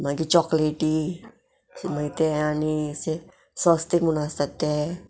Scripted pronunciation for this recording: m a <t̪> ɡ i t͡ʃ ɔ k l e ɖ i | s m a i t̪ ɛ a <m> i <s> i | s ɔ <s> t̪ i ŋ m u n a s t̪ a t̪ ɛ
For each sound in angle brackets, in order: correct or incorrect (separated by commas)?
incorrect, incorrect, correct, correct